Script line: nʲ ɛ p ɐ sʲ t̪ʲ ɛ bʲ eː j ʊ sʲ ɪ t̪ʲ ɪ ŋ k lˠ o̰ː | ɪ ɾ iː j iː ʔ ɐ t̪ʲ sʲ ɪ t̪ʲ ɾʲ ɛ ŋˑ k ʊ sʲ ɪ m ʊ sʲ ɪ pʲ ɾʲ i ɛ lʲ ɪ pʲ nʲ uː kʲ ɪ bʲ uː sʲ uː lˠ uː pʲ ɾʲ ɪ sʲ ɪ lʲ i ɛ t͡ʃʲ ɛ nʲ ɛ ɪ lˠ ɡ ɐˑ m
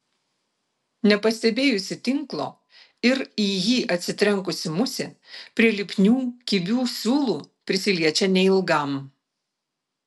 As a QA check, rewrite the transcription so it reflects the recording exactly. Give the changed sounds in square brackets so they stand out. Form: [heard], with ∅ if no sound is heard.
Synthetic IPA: nʲ ɛ p ɐ sʲ t̪ʲ ɛ bʲ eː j ʊ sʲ ɪ t̪ʲ ɪ ŋ k lˠ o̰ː | ɪ ɾ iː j iː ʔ ɐ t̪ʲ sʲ ɪ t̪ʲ ɾʲ ɛ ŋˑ k ʊ sʲ ɪ m ʊ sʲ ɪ pʲ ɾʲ i ɛ lʲ ɪ pʲ nʲ uː kʲ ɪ bʲ uː sʲ uː lˠ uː pʲ ɾʲ ɪ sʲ ɪ lʲ i ɛ t͡ʃʲ ɛ nʲ ɛ ɪ lˠ ɡ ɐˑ m

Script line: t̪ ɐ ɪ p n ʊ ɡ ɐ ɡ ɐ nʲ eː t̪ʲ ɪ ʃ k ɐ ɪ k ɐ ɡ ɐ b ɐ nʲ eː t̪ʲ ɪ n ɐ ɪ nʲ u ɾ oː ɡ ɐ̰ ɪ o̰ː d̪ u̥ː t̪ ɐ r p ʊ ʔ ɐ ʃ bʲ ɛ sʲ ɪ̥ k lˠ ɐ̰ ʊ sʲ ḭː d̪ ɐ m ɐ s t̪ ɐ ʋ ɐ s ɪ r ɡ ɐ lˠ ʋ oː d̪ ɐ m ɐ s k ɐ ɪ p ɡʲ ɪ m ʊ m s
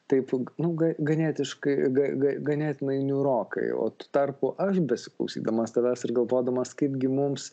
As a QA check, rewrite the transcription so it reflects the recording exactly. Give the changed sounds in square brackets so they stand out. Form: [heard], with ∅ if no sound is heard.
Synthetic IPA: t̪ ɐ ɪ p n ʊ ɡ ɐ ɡ ɐ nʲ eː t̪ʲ ɪ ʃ k ɐ ɪ [ɡ] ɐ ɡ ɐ [ɡ] ɐ nʲ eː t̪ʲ ɪ n ɐ ɪ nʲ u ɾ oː [k] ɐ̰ ɪ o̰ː [t̪] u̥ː t̪ ɐ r p ʊ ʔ ɐ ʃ bʲ ɛ sʲ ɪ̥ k lˠ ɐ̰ ʊ sʲ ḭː d̪ ɐ m ɐ s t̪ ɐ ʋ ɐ s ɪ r ɡ ɐ lˠ ʋ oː d̪ ɐ m ɐ s k ɐ ɪ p ɡʲ ɪ m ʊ m s

